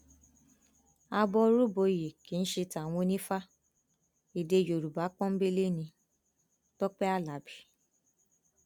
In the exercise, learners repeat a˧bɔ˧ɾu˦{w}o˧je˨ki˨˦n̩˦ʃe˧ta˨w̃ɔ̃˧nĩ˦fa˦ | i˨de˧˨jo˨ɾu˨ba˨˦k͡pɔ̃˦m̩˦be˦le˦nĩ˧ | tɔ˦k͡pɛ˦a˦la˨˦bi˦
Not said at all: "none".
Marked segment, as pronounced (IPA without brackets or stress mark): b